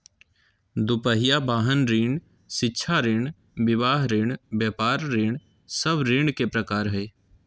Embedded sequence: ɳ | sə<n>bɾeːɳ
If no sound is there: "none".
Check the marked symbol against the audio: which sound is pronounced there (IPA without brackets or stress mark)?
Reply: none